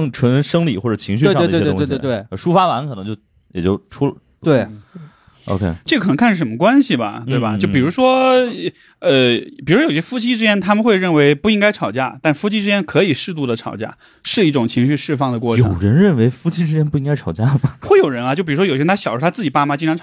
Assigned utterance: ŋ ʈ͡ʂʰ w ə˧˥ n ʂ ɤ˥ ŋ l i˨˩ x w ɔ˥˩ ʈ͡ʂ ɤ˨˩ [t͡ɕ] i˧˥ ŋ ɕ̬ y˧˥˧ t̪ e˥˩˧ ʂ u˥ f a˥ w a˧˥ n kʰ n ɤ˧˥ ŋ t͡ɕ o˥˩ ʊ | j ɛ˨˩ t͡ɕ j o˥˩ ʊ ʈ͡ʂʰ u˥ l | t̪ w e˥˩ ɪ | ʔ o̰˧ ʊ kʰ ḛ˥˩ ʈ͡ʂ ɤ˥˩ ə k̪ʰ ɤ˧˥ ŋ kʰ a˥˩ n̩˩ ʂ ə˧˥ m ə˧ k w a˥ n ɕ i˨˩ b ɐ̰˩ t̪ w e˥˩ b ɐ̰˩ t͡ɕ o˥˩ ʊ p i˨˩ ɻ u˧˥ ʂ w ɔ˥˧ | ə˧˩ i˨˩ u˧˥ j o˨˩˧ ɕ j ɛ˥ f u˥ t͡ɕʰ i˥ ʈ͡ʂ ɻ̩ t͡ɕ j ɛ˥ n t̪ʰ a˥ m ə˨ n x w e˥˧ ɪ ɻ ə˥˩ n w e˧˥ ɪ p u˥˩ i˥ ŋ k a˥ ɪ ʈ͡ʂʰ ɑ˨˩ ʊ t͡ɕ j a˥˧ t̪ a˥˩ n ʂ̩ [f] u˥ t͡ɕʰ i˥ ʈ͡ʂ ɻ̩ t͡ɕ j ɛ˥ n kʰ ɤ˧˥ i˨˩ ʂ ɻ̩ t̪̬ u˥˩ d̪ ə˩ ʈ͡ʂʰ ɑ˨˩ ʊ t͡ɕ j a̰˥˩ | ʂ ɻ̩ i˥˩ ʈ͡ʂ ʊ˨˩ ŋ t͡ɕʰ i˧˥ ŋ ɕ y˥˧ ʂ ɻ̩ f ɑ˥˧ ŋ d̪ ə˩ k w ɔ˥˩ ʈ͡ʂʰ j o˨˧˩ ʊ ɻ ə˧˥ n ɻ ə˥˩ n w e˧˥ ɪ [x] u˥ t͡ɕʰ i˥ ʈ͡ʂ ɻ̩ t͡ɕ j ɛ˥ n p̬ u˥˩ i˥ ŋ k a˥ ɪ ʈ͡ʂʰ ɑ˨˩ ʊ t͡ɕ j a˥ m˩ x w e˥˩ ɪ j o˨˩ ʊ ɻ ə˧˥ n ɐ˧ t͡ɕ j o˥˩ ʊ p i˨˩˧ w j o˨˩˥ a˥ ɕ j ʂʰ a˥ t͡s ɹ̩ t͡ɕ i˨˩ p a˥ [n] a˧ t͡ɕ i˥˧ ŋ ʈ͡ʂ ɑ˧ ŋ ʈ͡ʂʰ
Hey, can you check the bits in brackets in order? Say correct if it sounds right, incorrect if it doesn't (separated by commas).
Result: incorrect, correct, incorrect, incorrect